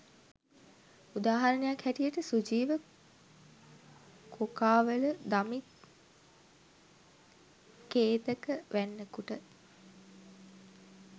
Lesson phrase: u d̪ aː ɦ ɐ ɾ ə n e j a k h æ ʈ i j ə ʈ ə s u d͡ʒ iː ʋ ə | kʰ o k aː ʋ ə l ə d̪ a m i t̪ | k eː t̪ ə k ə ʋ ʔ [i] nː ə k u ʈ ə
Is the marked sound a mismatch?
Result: yes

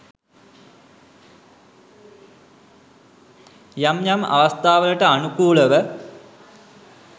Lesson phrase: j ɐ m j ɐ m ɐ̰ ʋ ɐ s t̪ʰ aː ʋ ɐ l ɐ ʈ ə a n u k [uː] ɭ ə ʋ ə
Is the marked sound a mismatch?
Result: no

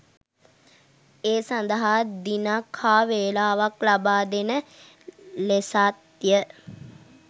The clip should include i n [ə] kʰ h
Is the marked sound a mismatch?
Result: yes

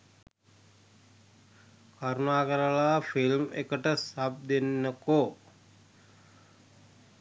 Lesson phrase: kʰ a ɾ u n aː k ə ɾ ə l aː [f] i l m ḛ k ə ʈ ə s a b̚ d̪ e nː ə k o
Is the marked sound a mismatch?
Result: no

